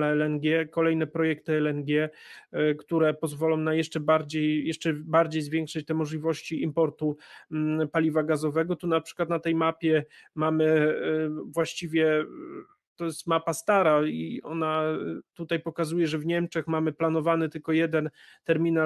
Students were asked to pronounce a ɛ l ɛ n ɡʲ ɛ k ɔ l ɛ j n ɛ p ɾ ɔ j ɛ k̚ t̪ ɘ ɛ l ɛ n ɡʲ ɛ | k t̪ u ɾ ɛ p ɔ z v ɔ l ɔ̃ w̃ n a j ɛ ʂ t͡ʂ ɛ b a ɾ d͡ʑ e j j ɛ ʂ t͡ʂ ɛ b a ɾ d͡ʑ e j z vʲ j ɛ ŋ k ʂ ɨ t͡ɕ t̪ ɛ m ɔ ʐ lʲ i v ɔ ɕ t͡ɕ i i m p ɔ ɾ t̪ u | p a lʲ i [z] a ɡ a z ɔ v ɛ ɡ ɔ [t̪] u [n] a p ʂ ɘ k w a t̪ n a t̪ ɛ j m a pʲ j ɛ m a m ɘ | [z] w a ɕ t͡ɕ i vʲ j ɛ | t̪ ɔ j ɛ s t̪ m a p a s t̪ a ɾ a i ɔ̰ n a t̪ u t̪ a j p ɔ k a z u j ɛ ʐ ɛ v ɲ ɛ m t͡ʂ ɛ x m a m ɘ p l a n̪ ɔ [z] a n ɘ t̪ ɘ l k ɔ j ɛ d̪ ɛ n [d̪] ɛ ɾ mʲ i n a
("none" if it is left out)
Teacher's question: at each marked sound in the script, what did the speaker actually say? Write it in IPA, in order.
v, t̪, n, v, v, t̪

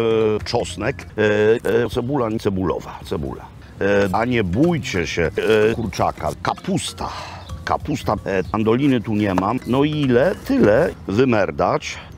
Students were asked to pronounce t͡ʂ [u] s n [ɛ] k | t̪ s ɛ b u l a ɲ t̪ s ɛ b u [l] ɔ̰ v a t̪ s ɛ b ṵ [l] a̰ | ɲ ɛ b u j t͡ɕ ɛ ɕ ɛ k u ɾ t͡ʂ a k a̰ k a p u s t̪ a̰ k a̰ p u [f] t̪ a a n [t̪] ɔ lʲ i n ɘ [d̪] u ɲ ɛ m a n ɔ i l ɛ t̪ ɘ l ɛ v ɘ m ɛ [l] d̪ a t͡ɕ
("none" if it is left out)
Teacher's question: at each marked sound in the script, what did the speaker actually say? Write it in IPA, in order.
ɔ, ɛ, l, l, s, d̪, t̪, ɾ

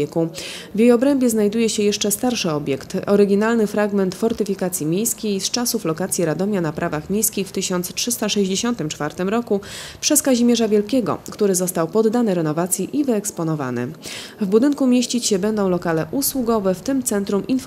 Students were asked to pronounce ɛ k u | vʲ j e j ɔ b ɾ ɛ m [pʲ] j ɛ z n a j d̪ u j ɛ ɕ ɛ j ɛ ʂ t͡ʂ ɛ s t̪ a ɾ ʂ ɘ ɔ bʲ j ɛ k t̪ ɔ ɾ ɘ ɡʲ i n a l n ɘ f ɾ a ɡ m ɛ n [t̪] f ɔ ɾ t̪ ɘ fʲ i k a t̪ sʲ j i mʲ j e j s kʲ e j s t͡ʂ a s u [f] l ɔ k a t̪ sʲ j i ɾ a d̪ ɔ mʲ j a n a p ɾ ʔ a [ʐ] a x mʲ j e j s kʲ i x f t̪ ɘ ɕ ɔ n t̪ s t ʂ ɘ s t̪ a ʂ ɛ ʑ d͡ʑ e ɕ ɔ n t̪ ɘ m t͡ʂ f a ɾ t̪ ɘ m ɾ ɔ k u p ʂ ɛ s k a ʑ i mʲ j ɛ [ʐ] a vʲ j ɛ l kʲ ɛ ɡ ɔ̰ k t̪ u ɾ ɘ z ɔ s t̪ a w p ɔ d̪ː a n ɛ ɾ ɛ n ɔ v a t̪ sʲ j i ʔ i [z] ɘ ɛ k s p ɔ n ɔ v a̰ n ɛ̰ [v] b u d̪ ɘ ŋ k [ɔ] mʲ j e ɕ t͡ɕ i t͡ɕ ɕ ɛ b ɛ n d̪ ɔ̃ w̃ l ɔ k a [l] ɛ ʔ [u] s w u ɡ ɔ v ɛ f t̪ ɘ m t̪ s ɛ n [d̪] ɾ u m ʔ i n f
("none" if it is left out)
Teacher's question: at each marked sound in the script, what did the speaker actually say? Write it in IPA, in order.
bʲ, t̪, f, v, ʐ, v, v, u, l, u, t̪

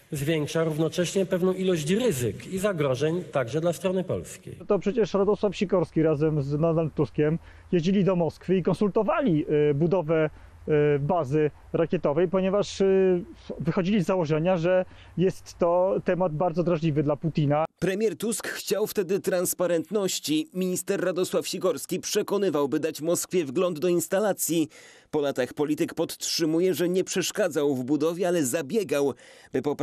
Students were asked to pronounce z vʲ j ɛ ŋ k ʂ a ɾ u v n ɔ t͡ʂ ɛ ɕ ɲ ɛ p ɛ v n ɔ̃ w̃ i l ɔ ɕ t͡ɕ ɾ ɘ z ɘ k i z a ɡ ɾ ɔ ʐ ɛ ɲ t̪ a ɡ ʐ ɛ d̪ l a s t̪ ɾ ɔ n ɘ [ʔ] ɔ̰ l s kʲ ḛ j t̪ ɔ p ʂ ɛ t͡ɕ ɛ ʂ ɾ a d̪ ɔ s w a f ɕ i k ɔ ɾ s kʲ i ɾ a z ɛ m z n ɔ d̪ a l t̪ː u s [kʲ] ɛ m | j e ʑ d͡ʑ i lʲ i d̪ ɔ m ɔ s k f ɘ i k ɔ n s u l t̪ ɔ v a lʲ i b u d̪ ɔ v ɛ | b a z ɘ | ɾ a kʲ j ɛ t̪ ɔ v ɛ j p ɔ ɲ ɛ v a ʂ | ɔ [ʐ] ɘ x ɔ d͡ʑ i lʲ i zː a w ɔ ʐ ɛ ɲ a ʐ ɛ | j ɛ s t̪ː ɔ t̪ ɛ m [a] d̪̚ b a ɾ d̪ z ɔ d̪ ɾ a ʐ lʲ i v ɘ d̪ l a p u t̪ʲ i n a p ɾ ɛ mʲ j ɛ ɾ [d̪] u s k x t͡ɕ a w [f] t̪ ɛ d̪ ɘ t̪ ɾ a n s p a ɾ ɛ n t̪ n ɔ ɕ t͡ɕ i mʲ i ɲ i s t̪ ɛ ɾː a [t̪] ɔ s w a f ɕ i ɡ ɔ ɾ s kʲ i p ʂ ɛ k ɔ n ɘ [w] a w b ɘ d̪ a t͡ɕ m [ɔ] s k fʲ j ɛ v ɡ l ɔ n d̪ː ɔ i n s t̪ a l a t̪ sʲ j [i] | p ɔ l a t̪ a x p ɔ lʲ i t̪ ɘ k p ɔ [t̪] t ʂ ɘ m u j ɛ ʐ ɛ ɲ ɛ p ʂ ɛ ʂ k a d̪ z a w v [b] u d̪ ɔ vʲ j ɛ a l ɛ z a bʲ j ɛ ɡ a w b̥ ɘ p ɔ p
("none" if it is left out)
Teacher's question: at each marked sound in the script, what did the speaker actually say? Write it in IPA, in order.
p, kʲ, v, a, t̪, f, d̪, v, ɔ, i, t̪, b

